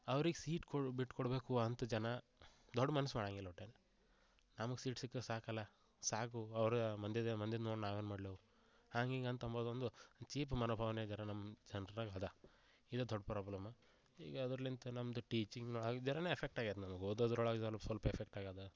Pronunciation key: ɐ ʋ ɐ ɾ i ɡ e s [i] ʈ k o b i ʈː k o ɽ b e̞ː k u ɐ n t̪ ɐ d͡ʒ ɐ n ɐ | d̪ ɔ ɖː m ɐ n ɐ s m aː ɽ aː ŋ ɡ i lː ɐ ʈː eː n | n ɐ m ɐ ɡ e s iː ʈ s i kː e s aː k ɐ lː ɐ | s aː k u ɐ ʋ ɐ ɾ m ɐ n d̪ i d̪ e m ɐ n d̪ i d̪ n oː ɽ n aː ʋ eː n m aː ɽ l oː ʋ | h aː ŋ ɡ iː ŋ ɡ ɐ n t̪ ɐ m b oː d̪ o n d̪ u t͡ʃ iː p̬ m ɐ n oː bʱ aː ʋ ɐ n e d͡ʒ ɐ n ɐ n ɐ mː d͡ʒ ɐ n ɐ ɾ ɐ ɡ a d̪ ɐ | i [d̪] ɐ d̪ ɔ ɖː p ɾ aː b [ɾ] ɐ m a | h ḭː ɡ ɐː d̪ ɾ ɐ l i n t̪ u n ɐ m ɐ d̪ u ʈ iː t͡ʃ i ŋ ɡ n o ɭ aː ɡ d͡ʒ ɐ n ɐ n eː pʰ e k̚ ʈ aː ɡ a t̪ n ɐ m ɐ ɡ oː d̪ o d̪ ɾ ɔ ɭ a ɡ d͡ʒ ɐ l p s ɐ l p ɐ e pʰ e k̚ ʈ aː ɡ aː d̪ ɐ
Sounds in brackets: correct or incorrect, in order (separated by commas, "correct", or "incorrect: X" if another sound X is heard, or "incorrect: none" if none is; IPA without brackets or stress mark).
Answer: incorrect: iː, correct, incorrect: l